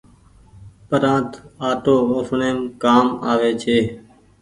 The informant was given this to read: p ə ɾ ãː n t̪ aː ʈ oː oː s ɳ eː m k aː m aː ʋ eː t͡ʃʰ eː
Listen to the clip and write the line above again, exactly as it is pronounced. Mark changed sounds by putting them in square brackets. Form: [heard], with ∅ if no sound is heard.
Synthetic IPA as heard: p ə ɾ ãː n t̪ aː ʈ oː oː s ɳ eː m k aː m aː ʋ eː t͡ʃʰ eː

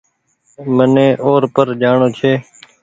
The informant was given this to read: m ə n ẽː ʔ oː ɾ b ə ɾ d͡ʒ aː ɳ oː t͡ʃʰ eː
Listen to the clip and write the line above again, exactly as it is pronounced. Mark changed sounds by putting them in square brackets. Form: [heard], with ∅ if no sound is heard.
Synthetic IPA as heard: m ə n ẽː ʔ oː ɾ [p] ə ɾ d͡ʒ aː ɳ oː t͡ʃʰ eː

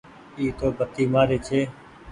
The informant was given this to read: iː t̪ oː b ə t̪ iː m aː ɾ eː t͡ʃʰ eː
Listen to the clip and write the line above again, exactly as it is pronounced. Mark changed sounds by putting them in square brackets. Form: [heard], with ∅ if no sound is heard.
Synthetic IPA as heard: iː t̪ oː b ə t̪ iː m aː ɾ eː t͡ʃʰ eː

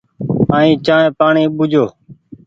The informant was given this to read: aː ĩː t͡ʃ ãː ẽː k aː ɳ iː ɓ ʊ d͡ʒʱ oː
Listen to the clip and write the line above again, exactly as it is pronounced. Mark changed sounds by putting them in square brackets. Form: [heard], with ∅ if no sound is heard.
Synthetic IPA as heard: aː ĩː t͡ʃ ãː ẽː [p] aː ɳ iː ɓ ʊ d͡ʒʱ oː

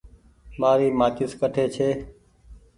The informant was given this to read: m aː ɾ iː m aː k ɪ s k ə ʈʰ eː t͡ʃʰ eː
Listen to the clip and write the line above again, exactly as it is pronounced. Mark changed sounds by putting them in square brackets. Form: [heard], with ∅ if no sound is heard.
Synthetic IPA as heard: m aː ɾ iː m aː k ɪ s k ə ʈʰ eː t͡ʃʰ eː

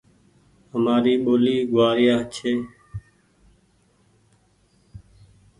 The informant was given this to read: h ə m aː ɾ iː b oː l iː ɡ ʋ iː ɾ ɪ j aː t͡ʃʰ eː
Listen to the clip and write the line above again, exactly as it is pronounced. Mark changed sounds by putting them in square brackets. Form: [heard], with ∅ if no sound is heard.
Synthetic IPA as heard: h ə m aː ɾ iː [ɓ] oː l iː ɡ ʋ [aː] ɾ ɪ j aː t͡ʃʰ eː

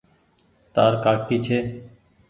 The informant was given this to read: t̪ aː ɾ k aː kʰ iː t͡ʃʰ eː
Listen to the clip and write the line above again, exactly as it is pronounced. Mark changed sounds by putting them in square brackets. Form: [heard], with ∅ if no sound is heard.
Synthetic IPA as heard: t̪ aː ɾ k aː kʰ iː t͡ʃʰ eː

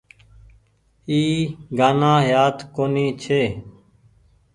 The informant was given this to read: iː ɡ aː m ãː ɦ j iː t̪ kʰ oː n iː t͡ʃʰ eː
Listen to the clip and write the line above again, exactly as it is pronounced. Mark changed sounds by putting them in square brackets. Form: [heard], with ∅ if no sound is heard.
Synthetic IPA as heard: iː ɡ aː [n] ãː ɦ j [aː] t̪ [k] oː n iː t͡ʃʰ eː

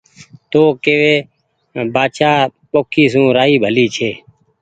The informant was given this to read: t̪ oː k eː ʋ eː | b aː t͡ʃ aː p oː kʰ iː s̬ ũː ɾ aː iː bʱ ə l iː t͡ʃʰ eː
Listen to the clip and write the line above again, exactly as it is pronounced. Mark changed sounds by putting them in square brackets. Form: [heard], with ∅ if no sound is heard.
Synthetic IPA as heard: t̪ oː k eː ʋ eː | b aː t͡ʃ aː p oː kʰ iː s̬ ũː ɾ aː iː bʱ ə l iː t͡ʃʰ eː

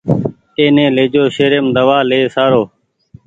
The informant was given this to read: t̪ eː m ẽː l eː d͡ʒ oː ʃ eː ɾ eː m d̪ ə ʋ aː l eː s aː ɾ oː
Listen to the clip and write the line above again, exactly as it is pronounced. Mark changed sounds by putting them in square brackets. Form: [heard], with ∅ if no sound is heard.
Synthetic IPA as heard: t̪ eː [n] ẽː l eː d͡ʒ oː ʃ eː ɾ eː m d̪ ə ʋ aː l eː s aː ɾ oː

